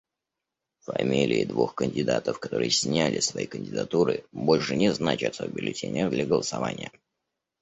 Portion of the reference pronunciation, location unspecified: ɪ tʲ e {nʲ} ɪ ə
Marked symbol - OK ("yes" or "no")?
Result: yes